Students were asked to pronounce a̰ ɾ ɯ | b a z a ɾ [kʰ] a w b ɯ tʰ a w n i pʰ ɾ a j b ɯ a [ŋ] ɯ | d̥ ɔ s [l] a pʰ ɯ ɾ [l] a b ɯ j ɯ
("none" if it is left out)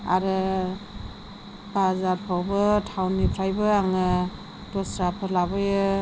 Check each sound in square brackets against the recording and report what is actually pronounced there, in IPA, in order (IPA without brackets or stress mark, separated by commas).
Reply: pʰ, ŋ, ɾ, l